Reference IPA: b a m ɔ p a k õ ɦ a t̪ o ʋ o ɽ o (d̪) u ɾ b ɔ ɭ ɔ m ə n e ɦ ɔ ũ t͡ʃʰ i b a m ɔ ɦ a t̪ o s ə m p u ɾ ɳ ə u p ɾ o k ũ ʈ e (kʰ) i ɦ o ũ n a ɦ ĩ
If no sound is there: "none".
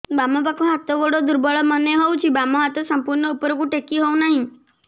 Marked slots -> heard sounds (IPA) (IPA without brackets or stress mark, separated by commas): d̪, k